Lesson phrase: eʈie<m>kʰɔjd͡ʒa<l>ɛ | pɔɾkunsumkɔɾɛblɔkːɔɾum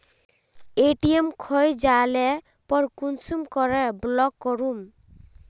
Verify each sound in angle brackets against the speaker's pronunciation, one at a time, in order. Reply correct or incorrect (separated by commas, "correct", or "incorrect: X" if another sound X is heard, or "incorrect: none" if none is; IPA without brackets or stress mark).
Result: correct, correct